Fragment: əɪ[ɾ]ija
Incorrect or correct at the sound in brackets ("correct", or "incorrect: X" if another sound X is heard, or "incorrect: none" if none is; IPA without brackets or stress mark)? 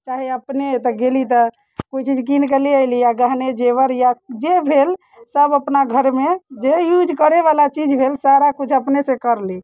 incorrect: l